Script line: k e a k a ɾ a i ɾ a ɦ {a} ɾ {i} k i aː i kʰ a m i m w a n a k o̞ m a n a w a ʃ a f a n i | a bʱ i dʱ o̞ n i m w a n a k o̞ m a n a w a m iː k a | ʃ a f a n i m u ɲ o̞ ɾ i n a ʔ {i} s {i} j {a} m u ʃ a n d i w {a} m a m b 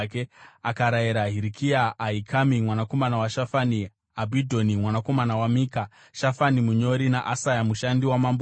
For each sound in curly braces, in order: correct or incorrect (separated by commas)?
incorrect, correct, incorrect, incorrect, correct, correct